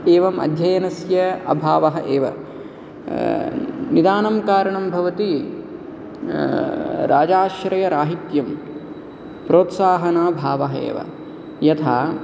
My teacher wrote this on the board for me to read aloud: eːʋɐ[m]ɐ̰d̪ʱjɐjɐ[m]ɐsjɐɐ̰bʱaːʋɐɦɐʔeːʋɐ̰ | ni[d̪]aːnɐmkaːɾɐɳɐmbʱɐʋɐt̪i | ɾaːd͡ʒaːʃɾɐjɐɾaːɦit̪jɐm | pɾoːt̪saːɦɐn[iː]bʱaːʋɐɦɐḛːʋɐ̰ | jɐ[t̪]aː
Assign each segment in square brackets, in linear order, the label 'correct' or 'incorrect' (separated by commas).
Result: correct, incorrect, correct, incorrect, incorrect